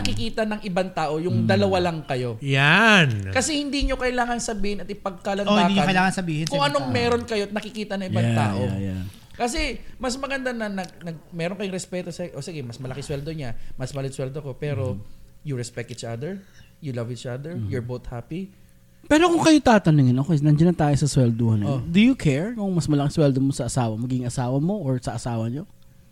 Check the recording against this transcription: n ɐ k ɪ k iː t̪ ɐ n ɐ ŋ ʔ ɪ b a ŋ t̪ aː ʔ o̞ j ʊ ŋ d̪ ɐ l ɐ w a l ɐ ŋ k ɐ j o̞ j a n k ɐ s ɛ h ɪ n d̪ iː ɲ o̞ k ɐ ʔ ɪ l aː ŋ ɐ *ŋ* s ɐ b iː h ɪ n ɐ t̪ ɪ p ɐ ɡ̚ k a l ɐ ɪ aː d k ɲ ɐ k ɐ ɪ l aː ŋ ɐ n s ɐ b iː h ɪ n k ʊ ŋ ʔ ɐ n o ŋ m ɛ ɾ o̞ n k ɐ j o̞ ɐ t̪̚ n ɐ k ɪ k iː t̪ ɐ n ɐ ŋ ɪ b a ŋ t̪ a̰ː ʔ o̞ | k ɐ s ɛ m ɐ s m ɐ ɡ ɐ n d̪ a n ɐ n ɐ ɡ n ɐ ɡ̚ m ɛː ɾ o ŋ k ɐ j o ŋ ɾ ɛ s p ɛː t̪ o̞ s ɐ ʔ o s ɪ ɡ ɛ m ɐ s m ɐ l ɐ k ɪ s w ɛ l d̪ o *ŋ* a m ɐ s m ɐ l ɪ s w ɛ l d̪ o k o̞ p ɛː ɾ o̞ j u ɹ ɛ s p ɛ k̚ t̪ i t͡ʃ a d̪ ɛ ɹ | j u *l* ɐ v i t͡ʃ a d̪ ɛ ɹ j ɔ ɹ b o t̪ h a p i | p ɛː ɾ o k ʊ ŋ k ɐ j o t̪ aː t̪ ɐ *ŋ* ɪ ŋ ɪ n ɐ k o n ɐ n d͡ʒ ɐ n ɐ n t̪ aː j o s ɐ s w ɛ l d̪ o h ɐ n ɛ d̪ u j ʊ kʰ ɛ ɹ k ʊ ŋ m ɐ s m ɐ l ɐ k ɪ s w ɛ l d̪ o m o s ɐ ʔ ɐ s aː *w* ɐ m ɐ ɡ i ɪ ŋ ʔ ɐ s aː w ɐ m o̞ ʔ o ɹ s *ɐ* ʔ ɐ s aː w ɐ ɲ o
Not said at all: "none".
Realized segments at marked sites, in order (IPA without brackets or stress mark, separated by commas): n, ɲ, l, n, w, ɐ